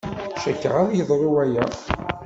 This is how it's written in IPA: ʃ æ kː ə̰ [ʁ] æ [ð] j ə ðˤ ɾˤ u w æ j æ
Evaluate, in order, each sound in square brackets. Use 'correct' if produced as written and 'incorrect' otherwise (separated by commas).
correct, correct